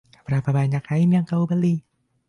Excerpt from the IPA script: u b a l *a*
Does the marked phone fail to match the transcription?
yes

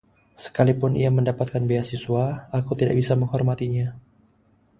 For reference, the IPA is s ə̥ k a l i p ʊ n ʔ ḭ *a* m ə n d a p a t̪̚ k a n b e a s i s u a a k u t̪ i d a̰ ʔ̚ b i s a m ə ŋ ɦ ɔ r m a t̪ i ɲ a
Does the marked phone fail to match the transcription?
no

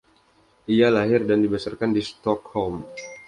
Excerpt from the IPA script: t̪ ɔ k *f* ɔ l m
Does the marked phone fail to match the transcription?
yes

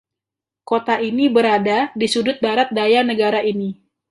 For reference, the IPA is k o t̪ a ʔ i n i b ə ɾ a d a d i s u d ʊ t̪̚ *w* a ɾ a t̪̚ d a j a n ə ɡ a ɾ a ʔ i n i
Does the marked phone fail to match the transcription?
yes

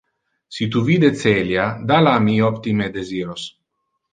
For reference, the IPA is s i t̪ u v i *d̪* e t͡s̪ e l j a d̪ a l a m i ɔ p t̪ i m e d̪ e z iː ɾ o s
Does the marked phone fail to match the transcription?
no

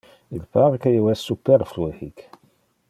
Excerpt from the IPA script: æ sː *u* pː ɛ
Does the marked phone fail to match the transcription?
no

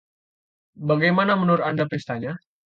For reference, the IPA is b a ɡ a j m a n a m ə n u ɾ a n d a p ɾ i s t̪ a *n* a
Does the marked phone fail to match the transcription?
yes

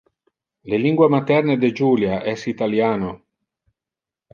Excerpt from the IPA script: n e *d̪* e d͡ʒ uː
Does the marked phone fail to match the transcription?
no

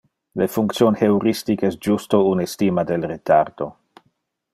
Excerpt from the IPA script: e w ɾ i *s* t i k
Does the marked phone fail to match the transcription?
no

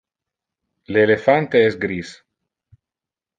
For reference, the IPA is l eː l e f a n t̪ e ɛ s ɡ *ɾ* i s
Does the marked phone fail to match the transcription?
no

